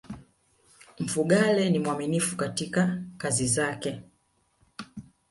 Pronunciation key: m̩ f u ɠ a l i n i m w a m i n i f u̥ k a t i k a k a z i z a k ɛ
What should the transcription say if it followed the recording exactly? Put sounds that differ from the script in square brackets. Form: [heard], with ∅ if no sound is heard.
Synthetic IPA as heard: m̩ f u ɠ a l [ɛ] n i m w a m i n i f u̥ k a t i k a k a z i z a k ɛ

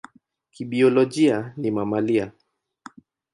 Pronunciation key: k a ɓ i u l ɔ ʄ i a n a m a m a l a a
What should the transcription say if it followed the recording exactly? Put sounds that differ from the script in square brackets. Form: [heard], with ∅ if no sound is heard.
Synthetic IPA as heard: k [i] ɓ i [ɔ] l ɔ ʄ i a n [i] m a m a l [i] a

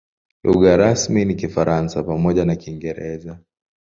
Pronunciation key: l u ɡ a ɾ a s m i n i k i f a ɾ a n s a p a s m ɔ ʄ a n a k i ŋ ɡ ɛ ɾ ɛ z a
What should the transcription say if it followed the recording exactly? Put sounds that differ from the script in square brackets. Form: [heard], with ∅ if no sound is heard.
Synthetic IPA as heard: l u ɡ a ɾ a s m i n i k i f a ɾ a n s a p a [∅] m ɔ ʄ a n a k i ŋ ɡ ɛ ɾ ɛ z a

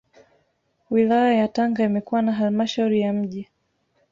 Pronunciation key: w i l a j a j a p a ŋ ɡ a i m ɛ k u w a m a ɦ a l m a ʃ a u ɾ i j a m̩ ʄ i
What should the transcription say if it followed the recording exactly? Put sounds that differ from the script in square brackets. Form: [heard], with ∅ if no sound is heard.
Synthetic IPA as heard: w i l a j a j a [t] a ŋ ɡ a i m ɛ k u w a [n] a ɦ a l m a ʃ a u ɾ i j a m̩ ʄ i

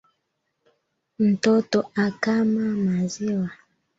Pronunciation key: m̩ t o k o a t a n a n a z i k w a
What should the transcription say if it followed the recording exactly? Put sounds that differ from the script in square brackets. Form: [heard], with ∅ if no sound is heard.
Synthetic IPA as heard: [n̩] t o [t] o a [k] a [m] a [m] a z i [∅] w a

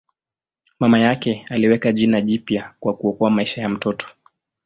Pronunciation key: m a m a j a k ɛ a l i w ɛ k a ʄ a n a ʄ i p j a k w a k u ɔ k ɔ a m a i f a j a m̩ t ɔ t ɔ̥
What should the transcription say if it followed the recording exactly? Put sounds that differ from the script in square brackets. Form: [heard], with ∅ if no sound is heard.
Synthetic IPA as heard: m a m a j a k ɛ a l i w ɛ k a ʄ [i] n a ʄ i p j a k w a k u ɔ k ɔ a m a i [ʃ] a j a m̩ t ɔ t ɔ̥

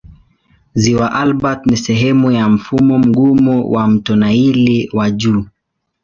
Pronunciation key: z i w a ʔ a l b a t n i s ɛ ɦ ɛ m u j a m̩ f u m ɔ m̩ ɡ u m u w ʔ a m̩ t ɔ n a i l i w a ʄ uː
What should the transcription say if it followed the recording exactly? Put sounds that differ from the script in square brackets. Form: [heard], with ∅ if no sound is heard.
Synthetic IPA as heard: z i w a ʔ a l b a t n i s ɛ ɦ ɛ m u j a m̩ f u m ɔ m̩ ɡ u m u w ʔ a m̩ t ɔ n a i l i w a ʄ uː

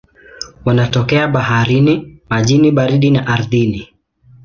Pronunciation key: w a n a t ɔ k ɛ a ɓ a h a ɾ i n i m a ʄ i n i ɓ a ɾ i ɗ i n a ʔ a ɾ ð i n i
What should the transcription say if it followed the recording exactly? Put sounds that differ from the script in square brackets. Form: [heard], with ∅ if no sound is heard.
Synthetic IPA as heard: w a n a t ɔ k ɛ a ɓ a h a ɾ i n i m a ʄ i n i ɓ a ɾ i ɗ i n a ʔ a ɾ ð i n i

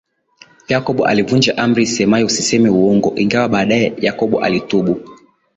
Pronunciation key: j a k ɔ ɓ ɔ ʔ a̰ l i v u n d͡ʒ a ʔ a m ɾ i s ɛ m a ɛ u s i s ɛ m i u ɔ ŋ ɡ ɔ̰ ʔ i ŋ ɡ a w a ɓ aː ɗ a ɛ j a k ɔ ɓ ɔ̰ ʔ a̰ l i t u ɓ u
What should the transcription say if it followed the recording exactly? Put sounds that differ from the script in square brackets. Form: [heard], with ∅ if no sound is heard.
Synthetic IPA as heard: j a k ɔ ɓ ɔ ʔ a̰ l i v u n d͡ʒ a ʔ a m ɾ i s ɛ m a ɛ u s i s ɛ m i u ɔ ŋ ɡ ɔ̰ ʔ i ŋ ɡ a w a ɓ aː ɗ a ɛ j a k ɔ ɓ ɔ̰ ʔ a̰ l i t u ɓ u

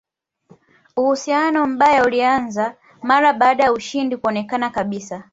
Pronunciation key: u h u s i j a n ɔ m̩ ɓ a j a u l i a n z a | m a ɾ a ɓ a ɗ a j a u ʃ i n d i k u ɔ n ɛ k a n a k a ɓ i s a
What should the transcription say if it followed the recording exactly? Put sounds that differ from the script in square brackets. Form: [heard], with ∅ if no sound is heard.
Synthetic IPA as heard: u h u s i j a n ɔ m̩ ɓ a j a u l i a n z a | m a ɾ a ɓ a ɗ a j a u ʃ i n d i k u ɔ n ɛ k a n a k a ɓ i s a

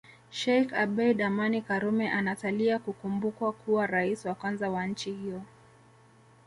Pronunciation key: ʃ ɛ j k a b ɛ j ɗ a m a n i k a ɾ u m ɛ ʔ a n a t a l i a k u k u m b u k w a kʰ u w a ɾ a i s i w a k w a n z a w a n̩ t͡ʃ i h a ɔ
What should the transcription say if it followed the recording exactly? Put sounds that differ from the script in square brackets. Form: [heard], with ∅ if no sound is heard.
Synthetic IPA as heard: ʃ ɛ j k a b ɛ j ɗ a m a n i k a ɾ u m ɛ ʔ a n a t a l i a k u k u m b u k w a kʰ u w a ɾ a i s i w a k w a n z a w a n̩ t͡ʃ i h [i] ɔ

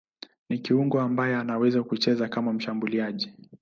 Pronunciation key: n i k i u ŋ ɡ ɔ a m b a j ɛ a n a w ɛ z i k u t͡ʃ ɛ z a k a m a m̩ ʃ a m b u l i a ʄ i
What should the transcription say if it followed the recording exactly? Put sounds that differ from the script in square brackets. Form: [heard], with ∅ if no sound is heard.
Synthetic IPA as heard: n i k i u ŋ ɡ ɔ a m b a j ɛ a n a w ɛ z [a] k u t͡ʃ ɛ z a k a m a m̩ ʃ a m b u l i a ʄ i

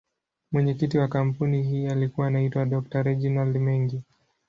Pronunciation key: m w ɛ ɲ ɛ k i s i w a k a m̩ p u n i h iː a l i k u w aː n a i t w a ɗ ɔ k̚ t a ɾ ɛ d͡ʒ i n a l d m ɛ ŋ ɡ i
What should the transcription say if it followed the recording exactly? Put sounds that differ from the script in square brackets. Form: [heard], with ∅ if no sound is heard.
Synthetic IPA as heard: m w ɛ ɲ ɛ k i [t] i w a k a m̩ p u n i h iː a l i k u w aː n a i t w a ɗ ɔ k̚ t a ɾ ɛ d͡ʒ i n a l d m ɛ ŋ ɡ i

